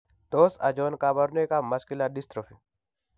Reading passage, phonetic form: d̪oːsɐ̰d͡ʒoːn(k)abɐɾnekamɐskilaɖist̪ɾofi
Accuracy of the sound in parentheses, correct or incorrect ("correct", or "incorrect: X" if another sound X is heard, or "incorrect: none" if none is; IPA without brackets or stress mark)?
correct